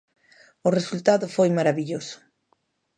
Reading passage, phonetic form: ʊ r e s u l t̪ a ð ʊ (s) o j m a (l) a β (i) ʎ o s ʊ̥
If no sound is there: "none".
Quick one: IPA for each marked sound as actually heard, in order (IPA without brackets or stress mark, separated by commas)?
f, ɾ, i